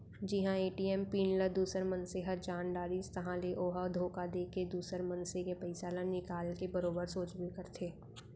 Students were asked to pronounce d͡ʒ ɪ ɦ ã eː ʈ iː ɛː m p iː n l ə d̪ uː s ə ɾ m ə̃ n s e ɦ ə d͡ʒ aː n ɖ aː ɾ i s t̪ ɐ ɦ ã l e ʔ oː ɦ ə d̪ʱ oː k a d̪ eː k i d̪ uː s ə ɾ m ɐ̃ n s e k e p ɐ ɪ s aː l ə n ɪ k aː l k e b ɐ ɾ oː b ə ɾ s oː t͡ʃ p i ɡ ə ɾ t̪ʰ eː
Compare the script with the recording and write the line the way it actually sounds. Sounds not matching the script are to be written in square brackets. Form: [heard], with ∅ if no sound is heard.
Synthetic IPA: d͡ʒ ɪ ɦ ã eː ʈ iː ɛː m p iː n l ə d̪ uː s ə ɾ m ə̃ n s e ɦ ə d͡ʒ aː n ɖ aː ɾ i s t̪ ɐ ɦ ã l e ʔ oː ɦ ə d̪ʱ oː k a d̪ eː k [e] d̪ uː s ə ɾ m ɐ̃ n s e k e p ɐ ɪ s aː l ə n ɪ k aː l k e b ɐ ɾ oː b ə ɾ s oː t͡ʃ [b] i [k] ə ɾ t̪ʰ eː